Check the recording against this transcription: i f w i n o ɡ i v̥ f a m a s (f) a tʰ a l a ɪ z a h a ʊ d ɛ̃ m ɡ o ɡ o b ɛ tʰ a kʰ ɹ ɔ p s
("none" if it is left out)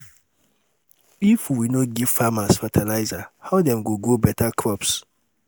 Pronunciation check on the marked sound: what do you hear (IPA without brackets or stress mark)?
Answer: f